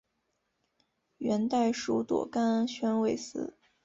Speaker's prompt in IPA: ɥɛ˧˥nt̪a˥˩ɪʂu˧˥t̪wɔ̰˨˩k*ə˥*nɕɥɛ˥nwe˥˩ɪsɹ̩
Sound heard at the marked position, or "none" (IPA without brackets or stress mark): a˥